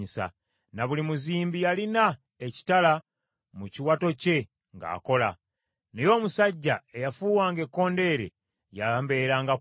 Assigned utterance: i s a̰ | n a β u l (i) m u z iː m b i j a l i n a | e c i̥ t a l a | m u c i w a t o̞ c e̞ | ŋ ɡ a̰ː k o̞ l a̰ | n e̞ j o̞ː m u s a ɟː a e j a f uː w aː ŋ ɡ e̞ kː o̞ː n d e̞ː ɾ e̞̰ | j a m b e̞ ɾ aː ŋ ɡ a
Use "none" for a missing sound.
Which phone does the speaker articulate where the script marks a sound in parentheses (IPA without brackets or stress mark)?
i